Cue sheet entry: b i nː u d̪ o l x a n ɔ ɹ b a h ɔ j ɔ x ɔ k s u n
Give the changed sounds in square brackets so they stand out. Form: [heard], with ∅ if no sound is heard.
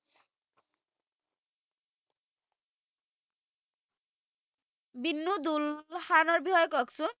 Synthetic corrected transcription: b i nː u d̪ [u] l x a n ɔ ɹ b [i] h ɔ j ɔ [k] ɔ k s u n